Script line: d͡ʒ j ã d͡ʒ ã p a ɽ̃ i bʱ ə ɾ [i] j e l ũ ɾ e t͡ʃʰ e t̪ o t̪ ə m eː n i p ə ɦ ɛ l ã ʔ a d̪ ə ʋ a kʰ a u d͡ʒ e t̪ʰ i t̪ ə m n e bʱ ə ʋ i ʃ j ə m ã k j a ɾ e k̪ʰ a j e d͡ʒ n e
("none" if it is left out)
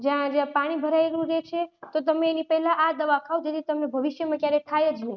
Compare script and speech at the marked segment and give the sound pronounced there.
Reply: a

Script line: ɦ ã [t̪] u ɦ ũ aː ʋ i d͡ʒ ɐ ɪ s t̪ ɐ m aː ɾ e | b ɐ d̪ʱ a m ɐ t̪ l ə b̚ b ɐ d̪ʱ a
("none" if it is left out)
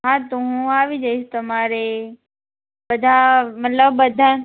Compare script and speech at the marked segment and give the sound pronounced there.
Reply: t̪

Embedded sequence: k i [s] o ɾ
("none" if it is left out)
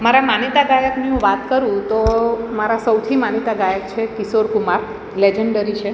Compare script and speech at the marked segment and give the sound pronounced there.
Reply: s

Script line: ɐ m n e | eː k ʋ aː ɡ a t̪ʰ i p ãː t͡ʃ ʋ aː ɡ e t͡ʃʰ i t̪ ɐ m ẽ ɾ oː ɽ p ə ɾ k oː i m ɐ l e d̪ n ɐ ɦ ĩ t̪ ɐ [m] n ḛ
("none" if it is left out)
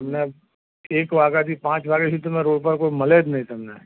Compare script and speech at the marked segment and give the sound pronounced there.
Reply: m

